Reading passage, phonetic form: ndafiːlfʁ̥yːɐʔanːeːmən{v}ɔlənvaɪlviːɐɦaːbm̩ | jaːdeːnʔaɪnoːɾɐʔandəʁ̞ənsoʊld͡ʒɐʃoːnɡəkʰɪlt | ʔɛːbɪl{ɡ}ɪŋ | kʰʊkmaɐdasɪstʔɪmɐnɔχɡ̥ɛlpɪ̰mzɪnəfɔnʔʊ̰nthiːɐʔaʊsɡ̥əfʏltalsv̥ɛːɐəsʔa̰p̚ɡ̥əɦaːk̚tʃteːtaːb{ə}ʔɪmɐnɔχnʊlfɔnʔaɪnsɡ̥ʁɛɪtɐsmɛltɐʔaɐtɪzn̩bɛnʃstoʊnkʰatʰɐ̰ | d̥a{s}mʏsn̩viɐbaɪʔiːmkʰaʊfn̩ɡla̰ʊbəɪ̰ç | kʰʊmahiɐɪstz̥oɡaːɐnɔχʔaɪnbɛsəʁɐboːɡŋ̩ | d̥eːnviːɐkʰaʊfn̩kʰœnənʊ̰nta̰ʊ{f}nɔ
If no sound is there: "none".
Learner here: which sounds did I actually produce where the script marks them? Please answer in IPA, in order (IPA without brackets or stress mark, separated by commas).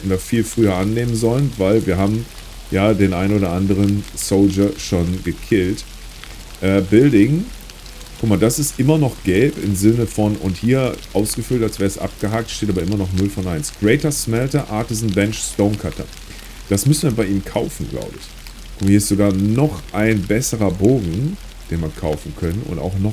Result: z, d, ɐ, s, x